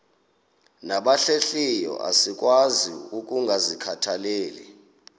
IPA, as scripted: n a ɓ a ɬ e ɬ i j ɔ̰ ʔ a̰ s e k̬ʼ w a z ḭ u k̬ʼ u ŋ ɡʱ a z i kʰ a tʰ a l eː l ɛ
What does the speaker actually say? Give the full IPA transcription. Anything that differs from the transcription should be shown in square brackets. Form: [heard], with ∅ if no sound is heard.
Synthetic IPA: n a ɓ a ɬ e ɬ i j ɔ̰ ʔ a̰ s [i] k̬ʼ w a z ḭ u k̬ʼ u ŋ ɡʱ a z i kʰ a tʰ a l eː l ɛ